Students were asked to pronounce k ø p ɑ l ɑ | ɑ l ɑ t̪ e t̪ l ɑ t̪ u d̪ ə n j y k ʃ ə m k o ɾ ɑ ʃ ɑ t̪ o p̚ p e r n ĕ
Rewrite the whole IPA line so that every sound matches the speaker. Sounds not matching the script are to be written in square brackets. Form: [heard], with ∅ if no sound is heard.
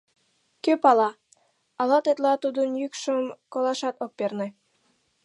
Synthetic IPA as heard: k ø p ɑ l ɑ | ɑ l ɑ t̪ e t̪ l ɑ t̪ u d̪ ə n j y k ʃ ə m k o [l] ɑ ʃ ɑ t̪ o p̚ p e r n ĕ